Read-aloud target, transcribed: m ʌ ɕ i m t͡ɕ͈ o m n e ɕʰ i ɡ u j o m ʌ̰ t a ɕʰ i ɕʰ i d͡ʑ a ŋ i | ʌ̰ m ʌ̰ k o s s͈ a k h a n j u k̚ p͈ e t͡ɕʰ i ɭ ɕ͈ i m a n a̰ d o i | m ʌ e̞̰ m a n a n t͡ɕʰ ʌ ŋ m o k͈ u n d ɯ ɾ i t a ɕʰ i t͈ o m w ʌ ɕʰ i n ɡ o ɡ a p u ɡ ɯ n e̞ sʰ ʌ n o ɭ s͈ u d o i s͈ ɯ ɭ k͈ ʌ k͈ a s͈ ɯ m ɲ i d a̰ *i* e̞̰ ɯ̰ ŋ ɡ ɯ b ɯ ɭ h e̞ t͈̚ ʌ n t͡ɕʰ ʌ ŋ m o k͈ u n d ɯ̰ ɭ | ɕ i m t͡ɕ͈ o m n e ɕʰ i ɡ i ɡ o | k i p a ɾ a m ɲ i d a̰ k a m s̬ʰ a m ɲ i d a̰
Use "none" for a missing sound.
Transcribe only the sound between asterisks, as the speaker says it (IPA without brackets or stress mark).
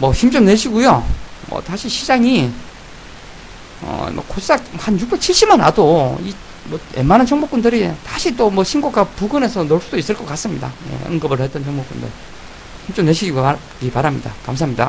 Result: j